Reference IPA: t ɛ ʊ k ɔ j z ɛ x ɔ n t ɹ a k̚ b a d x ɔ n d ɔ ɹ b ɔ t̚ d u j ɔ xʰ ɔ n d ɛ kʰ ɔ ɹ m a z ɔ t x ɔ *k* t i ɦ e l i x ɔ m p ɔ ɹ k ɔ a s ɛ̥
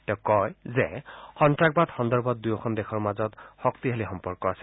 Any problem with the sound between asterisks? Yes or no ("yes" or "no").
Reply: no